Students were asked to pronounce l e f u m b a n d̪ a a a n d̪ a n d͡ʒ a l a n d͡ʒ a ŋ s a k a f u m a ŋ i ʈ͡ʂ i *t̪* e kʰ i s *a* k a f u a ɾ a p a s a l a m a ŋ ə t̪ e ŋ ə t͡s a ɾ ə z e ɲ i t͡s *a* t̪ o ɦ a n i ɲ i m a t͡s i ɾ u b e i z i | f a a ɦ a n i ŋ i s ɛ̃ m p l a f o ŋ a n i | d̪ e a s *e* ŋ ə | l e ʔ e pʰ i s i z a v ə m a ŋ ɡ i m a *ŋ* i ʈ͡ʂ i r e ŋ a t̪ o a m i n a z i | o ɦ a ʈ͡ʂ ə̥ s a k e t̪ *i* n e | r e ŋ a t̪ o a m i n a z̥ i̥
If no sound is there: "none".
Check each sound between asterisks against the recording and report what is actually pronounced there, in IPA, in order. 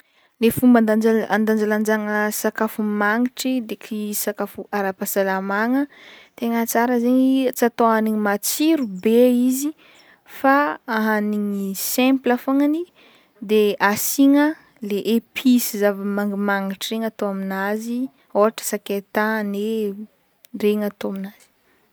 d̪, a, a, i, ŋ, a

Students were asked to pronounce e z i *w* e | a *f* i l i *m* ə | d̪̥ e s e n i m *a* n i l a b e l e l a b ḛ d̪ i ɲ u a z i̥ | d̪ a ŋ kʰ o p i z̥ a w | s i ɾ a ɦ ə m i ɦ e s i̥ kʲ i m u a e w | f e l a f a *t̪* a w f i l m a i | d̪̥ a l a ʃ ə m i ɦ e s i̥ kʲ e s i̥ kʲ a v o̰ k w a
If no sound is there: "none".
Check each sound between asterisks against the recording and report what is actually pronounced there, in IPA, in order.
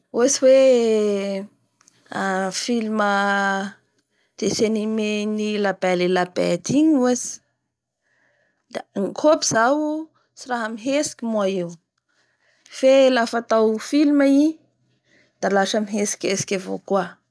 w, f, m, e, t̪

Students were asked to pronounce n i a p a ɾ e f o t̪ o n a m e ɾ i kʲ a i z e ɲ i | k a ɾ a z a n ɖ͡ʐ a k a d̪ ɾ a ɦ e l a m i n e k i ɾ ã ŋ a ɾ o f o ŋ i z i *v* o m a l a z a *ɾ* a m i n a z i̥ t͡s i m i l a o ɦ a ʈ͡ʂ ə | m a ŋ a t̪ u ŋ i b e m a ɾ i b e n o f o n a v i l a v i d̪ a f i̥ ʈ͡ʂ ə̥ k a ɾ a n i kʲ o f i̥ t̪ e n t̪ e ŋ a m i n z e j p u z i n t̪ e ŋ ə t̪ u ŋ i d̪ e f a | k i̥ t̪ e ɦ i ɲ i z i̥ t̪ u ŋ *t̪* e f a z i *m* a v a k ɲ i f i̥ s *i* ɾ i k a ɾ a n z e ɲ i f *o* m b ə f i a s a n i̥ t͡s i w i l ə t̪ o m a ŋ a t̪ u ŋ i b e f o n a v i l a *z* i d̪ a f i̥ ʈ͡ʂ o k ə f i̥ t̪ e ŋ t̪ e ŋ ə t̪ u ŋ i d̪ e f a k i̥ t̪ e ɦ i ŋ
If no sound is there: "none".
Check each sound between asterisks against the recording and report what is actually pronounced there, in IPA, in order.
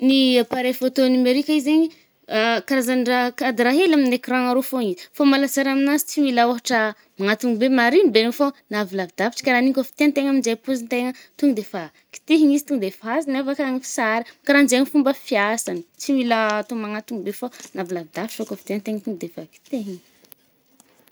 f, ɾ, d̪, n, a, u, v

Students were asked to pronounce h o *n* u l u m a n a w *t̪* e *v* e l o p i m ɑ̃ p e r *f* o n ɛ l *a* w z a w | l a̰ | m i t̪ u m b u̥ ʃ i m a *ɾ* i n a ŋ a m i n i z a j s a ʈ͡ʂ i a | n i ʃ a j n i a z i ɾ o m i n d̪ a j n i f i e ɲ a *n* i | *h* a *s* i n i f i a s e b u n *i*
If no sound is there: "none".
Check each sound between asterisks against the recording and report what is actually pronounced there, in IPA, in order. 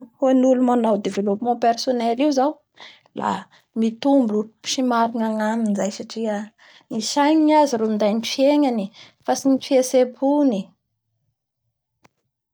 n, d̪, v, s, i, ɾ, n, f, s, i

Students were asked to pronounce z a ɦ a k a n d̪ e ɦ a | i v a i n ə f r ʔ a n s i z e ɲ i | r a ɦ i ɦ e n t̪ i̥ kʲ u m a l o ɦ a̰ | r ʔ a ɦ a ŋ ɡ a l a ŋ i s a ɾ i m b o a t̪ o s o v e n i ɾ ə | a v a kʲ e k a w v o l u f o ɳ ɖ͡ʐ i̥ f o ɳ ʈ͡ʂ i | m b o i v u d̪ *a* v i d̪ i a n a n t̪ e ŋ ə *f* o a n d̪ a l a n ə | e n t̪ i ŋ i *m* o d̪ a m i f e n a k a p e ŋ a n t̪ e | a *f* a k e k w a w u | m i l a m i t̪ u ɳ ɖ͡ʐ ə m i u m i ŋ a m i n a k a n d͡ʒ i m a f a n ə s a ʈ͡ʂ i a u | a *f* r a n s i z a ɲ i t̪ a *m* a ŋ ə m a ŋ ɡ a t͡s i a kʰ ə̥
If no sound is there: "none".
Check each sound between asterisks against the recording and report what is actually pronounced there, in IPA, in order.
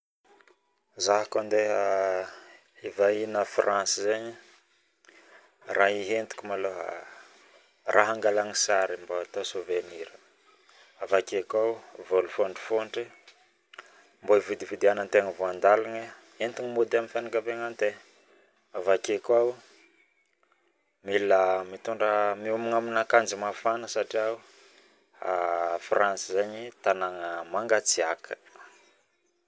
i, v, m, v, f, n

